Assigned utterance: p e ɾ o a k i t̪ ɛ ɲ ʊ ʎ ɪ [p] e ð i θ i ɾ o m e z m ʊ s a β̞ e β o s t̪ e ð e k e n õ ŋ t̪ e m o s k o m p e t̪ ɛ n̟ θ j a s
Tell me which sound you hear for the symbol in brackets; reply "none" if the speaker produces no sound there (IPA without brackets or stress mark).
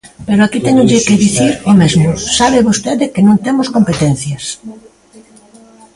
k